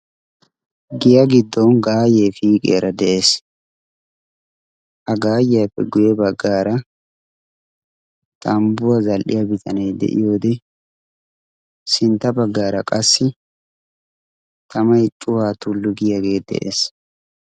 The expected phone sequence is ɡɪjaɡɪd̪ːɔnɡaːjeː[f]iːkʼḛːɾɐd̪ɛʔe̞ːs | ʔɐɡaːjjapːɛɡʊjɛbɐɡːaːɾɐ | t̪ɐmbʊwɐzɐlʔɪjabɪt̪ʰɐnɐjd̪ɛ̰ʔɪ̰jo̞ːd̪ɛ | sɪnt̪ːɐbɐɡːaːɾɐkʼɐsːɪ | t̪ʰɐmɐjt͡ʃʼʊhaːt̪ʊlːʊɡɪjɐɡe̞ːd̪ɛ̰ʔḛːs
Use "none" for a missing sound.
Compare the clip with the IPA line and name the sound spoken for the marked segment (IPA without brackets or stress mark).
f